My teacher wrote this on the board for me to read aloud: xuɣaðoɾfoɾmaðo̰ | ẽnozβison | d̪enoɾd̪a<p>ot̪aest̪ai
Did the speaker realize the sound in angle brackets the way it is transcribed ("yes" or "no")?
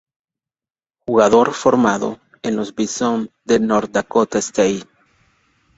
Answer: no